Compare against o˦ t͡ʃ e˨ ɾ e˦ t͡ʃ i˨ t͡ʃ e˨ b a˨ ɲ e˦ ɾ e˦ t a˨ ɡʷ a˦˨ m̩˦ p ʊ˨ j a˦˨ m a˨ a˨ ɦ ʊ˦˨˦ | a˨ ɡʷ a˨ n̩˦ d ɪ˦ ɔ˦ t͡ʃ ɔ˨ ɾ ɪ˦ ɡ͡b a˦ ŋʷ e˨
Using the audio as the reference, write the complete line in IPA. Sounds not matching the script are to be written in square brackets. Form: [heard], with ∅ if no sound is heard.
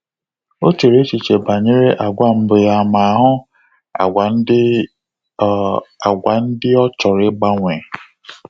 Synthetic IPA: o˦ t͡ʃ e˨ ɾ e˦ t͡ʃ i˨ t͡ʃ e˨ b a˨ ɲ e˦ ɾ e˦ [ʔ] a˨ ɡʷ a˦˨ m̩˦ [b] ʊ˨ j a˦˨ m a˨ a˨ ɦ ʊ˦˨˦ | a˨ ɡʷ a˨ n̩˦ d ɪ˦ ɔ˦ t͡ʃ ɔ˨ ɾ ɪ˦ ɡ͡b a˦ ŋʷ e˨